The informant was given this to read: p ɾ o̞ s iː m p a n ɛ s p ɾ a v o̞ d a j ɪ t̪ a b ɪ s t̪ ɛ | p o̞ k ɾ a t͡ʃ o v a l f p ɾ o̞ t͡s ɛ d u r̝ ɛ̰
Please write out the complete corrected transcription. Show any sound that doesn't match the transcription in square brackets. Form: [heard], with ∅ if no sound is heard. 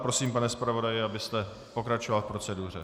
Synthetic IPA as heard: p ɾ o̞ s iː m p a n ɛ s p ɾ a v o̞ d a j ɪ [∅] a b ɪ s t̪ ɛ | p o̞ k ɾ a t͡ʃ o v a l f p ɾ o̞ t͡s ɛ d u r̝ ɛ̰